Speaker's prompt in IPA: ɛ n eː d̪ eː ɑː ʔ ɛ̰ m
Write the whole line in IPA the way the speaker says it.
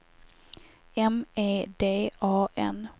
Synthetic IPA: ɛ m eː d̪ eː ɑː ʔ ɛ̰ n